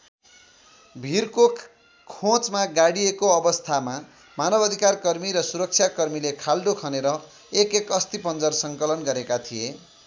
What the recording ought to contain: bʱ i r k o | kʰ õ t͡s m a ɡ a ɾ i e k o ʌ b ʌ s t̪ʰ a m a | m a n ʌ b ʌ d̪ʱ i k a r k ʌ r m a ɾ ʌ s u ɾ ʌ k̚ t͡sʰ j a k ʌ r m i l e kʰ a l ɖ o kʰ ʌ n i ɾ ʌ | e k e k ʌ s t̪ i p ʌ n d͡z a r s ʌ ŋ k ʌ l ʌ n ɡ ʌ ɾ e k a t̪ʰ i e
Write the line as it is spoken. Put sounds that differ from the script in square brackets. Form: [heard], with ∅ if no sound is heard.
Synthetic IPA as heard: bʱ i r k o | kʰ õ t͡s m a ɡ a [ɽ] i e k o ʌ b ʌ s t̪ʰ a m a | m a n ʌ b ʌ d̪ʱ i k a r k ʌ r m [i] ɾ ʌ s u ɾ ʌ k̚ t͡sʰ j a k ʌ r m i l e kʰ a l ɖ o kʰ ʌ n [e] ɾ ʌ | e k e k ʌ s t̪ i p ʌ n d͡z [ʌ] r s ʌ ŋ k ʌ l ʌ n ɡ ʌ ɾ e k a t̪ʰ i e

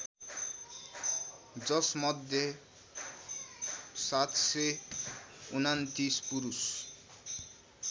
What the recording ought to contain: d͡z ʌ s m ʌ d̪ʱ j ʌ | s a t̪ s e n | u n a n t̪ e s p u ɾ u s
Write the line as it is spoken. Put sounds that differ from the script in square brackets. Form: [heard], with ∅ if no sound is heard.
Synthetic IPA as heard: d͡z ʌ s m ʌ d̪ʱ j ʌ | s a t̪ s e [∅] | u n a n t̪ [i] s p u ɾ u s

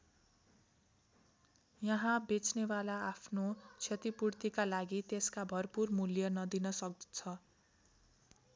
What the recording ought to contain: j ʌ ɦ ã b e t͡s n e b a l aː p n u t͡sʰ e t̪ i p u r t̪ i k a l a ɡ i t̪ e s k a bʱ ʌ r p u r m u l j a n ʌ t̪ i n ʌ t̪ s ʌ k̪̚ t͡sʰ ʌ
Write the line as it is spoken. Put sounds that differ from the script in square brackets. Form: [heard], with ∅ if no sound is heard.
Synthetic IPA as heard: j ʌ ɦ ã b e t͡s n e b a l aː [pʰ] n [o] t͡sʰ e t̪ i p u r t̪ i k a l a ɡ i t̪ e s k a bʱ ʌ r p u r m u l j [ʌ] n ʌ [d̪] i n ʌ [∅] s ʌ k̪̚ t͡sʰ ʌ

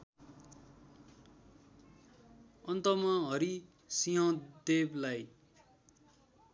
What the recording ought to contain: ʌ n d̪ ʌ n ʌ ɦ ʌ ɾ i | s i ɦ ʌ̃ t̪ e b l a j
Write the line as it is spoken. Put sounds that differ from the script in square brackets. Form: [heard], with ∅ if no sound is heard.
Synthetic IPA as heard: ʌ n [t̪] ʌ [m] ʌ ɦ ʌ ɾ i | s i ɦ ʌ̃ [d̪] e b l a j

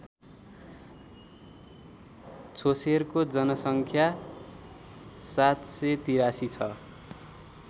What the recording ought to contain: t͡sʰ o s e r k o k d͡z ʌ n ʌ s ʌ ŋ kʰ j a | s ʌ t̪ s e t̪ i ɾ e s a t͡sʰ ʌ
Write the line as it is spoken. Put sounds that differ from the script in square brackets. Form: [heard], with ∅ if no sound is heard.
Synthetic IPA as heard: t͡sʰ o s e r k o [∅] d͡z ʌ n ʌ s ʌ ŋ kʰ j a | s [a] t̪ s e t̪ i ɾ [a] s [i] t͡sʰ ʌ

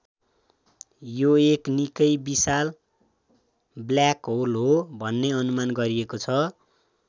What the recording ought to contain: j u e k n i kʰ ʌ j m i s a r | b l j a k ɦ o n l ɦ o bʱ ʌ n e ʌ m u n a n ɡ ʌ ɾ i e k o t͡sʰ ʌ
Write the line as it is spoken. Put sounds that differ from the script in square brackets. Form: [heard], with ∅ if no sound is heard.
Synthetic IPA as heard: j [o] e k n i [k] ʌ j [b] i s a [l] | b l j a k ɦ o [∅] l ɦ o bʱ ʌ [nː] e ʌ [n] u [m] a n ɡ ʌ ɾ i e k o t͡sʰ ʌ

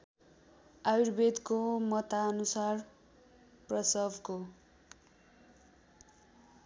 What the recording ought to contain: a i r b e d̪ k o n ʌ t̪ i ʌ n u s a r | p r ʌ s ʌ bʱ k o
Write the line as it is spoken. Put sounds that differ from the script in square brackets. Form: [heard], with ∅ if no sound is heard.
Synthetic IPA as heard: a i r b e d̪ k o [m] ʌ t̪ [a] ʌ n u s a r | p r ʌ s ʌ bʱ k o

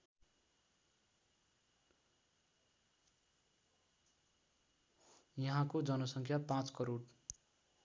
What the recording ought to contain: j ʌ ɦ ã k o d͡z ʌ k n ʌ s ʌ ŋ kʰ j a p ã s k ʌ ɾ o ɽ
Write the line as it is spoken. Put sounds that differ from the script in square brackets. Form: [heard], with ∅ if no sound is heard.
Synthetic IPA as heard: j ʌ ɦ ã k o d͡z ʌ [∅] n ʌ s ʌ ŋ kʰ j a p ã [t͡s] k ʌ ɾ o ɽ

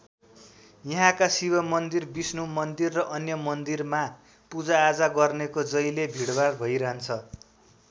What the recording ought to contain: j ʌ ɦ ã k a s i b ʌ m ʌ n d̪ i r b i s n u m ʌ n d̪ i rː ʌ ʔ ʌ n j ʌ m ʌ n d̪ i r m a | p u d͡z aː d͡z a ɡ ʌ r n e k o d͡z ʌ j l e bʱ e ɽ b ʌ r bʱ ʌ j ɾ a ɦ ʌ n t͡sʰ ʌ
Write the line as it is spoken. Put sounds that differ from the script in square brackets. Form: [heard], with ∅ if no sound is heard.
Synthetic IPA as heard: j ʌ ɦ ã k a s i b ʌ m ʌ n d̪ i r b i s n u m ʌ n d̪ i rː ʌ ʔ ʌ n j ʌ m ʌ n d̪ i r m a | p u d͡z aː d͡z a ɡ ʌ r n e k o d͡z ʌ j l e bʱ [i] ɽ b [a] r bʱ ʌ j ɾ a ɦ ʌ n t͡sʰ ʌ

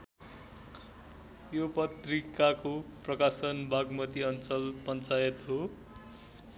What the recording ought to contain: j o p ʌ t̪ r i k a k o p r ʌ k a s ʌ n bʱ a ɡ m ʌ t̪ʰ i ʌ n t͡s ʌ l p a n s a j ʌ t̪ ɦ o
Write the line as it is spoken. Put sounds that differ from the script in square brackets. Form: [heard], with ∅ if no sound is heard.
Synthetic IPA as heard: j o p ʌ t̪ r i k a k o p r ʌ k a s ʌ n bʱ a ɡ m ʌ [t̪] i ʌ n t͡s ʌ l p [ʌ] n [t͡s] a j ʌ t̪ ɦ o

